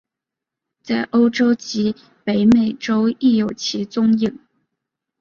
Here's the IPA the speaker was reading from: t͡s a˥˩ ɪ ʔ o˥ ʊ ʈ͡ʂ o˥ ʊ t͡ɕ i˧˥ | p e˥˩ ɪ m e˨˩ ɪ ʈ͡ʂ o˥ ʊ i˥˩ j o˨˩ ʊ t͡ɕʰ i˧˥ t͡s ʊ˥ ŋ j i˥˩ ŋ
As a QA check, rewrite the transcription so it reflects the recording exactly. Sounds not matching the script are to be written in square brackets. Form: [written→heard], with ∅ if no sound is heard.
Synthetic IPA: t͡s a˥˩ ɪ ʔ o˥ ʊ ʈ͡ʂ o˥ ʊ t͡ɕ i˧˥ | p [e˥˩→e˧˥] ɪ m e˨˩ ɪ ʈ͡ʂ o˥ ʊ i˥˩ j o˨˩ ʊ t͡ɕʰ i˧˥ t͡s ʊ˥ ŋ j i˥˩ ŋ